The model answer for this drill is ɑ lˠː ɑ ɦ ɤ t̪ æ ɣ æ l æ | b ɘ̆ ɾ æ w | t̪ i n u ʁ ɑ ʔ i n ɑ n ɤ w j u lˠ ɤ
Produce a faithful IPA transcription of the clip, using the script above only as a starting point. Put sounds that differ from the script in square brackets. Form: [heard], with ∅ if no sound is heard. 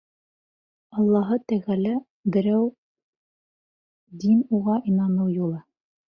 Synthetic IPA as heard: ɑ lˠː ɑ ɦ ɤ t̪ æ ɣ æ l æ | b ɘ̆ ɾ æ w | [d̪] i n u ʁ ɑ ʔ i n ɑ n ɤ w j u lˠ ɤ